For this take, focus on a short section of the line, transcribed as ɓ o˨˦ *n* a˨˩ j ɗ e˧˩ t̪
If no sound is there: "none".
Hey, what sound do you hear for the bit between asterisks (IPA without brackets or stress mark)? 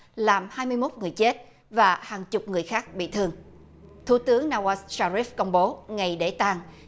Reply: ŋ